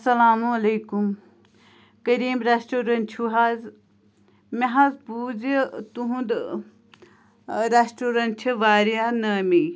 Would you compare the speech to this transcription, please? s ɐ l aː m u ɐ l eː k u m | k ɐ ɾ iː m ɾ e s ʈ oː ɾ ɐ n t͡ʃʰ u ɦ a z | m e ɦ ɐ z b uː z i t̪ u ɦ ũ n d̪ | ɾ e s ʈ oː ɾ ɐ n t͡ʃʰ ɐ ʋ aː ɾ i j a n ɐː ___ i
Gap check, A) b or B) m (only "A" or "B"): B